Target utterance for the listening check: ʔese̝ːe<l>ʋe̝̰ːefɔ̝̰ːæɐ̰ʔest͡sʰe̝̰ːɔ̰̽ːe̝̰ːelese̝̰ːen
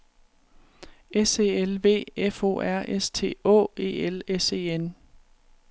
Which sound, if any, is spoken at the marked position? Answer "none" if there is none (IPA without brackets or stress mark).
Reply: l